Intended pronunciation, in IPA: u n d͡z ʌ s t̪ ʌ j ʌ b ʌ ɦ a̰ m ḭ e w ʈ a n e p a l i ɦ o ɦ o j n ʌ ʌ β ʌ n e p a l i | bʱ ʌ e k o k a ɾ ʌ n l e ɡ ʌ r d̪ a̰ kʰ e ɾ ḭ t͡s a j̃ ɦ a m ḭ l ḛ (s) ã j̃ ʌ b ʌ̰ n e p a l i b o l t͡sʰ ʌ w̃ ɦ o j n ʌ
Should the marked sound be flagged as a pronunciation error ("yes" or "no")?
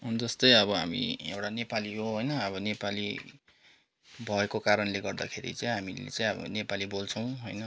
yes